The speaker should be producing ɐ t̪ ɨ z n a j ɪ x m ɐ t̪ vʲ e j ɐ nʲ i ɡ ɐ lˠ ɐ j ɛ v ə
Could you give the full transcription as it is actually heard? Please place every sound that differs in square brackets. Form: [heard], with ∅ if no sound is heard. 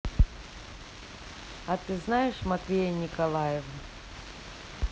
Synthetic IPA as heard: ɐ t̪ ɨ z n a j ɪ [ʂ] m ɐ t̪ vʲ e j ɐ nʲ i [k] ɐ lˠ [a] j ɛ v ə